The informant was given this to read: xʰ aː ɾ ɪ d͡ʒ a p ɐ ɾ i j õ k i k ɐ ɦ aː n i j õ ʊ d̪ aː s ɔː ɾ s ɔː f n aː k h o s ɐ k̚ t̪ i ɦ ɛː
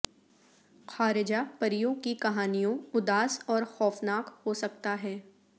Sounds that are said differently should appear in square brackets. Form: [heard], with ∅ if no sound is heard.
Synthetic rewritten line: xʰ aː ɾ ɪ d͡ʒ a p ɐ ɾ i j õ k i k ɐ ɦ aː n i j õ ʊ d̪ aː s ɔː ɾ [x] ɔː f n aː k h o s ɐ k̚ t̪ [a] ɦ ɛː

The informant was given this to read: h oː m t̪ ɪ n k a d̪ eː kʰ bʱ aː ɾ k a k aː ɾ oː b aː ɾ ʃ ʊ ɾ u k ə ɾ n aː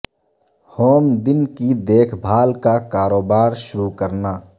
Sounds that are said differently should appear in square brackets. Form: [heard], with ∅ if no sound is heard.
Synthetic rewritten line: h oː m [d̪] ɪ n k [i] d̪ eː kʰ bʱ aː [l] k a k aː ɾ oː b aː ɾ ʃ ʊ ɾ u k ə ɾ n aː

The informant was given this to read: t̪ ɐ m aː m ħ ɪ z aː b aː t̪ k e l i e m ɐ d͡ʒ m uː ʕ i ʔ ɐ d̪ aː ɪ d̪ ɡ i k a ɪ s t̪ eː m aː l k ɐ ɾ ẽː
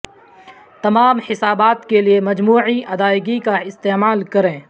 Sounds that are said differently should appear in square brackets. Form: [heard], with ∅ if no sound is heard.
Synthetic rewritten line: t̪ ɐ m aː m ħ ɪ [s] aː b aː t̪ k e l i e m ɐ d͡ʒ m uː ʕ i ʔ ɐ d̪ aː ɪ [∅] ɡ i k a ɪ s t̪ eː m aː l k ɐ ɾ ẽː

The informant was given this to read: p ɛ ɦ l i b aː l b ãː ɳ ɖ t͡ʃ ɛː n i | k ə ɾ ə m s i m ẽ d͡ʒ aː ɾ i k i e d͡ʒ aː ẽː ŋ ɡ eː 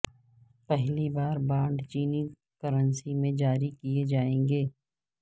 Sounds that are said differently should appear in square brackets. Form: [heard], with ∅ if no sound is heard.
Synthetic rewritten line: p ɛ ɦ l i b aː [ɾ] b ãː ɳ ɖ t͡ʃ [iː] n i | k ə ɾ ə [n] s i m ẽ d͡ʒ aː ɾ i k i e d͡ʒ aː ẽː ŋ ɡ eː

